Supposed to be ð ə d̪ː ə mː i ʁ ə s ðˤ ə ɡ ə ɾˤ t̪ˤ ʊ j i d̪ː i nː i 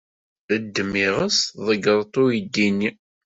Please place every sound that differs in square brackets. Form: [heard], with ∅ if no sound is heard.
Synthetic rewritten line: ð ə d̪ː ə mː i ʁ ə s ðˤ ə ɡ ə ɾˤ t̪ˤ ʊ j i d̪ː i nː i